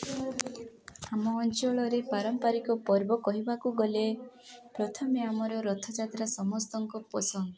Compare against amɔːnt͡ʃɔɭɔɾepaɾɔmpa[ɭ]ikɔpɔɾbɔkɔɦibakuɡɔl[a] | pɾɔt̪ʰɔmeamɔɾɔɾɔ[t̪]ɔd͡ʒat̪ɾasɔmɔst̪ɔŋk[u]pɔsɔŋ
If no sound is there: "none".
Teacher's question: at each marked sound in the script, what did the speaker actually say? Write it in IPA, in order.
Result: ɾ, e, t̪ʰ, ɔ

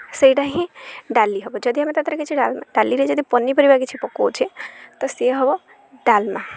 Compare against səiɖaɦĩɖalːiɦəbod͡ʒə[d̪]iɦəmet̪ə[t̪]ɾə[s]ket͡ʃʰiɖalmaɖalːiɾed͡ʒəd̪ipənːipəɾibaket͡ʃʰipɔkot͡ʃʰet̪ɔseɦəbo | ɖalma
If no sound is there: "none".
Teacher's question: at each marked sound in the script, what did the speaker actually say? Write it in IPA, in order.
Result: d̪, t̪, none

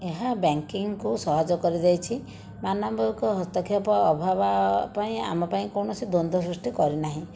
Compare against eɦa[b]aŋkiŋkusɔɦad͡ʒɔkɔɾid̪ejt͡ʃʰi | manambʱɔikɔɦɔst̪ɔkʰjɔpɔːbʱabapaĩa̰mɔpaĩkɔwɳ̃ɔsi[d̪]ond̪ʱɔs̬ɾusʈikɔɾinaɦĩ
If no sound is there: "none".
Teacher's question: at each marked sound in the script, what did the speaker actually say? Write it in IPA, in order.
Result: b, d̪

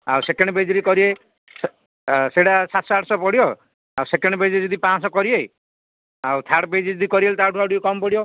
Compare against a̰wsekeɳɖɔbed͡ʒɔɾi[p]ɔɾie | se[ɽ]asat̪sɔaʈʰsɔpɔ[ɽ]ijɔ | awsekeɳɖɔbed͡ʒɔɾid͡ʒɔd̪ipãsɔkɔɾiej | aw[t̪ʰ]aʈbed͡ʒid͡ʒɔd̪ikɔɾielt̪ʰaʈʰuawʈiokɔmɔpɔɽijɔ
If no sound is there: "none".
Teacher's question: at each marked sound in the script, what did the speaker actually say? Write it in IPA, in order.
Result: k, ɽ, ɽ, t̪ʰ

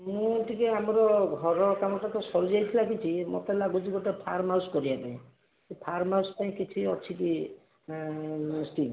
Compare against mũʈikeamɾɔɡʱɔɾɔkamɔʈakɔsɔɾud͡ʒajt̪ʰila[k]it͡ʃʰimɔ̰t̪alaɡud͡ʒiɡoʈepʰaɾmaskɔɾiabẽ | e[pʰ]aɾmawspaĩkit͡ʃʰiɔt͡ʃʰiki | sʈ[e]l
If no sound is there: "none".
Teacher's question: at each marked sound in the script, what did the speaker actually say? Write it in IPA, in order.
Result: k, pʰ, i

